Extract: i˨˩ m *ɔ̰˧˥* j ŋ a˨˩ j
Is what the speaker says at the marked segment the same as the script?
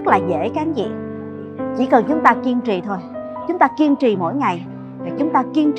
no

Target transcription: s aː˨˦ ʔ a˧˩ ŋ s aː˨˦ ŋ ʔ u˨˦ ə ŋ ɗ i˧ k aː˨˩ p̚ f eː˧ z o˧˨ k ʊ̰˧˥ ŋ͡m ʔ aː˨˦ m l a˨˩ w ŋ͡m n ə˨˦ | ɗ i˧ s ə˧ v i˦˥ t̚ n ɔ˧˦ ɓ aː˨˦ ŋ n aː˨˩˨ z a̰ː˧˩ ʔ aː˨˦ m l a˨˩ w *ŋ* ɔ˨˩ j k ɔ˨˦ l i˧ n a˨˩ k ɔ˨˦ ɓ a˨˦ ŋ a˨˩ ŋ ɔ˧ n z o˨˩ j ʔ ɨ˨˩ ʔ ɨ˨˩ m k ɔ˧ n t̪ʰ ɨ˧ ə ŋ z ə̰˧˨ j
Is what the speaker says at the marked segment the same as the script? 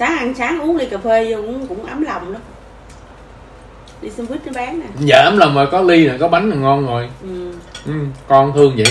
no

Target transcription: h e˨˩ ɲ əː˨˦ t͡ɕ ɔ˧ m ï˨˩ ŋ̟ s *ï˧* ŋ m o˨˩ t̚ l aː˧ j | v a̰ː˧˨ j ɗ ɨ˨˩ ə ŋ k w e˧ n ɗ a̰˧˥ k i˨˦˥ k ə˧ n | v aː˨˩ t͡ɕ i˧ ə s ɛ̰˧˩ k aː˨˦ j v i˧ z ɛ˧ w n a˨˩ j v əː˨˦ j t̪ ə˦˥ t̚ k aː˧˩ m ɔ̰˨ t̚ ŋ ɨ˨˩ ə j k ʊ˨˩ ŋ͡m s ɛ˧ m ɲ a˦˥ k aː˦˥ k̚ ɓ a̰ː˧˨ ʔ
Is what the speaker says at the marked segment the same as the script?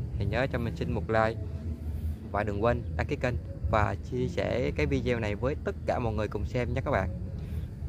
yes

